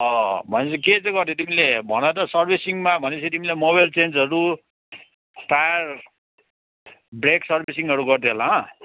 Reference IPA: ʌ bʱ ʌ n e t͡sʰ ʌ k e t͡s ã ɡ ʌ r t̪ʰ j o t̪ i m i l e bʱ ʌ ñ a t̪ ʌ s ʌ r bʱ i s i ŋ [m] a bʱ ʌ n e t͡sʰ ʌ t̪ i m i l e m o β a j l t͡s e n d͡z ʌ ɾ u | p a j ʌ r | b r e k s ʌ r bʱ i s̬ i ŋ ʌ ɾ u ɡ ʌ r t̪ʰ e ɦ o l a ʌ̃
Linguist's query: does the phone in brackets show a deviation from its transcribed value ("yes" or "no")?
no